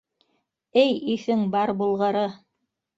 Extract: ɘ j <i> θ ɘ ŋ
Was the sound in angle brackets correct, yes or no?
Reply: yes